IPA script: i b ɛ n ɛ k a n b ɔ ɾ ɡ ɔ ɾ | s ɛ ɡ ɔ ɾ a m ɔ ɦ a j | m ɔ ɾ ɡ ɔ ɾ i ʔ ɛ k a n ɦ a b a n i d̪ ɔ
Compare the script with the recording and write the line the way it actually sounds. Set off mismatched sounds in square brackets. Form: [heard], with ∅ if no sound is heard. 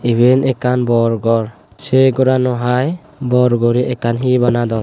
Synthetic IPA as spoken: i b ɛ n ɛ k a n b ɔ ɾ ɡ ɔ ɾ | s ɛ ɡ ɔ ɾ a [n] ɔ ɦ a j | [b] ɔ ɾ ɡ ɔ ɾ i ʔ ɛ k a n ɦ [i] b a n [a] d̪ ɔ